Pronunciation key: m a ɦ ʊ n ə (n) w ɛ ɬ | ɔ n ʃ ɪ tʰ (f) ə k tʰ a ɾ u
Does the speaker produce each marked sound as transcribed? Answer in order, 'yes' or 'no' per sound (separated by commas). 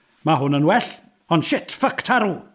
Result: yes, yes